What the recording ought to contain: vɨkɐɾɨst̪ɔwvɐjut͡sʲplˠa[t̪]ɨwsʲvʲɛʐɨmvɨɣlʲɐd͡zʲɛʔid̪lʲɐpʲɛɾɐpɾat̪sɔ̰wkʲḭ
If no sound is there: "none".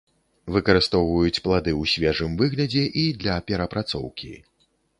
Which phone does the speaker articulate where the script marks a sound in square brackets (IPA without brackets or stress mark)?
d̪